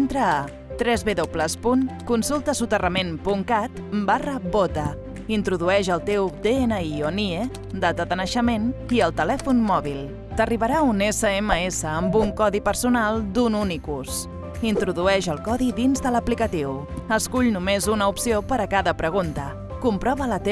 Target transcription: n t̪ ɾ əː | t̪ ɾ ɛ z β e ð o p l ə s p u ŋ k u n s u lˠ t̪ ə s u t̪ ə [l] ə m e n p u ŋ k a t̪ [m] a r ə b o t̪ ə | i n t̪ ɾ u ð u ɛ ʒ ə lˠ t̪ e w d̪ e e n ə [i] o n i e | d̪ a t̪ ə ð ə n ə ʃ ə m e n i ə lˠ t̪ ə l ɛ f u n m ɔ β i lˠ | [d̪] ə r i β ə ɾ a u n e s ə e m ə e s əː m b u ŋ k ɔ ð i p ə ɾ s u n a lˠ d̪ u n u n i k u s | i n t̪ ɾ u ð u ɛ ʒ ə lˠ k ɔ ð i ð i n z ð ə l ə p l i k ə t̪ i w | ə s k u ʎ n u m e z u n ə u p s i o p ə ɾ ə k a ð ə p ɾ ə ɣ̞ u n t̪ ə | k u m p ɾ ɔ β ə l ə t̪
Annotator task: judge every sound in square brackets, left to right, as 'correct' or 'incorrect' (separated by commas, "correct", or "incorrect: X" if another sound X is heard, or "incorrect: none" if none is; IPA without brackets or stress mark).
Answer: incorrect: r, incorrect: b, correct, incorrect: t̪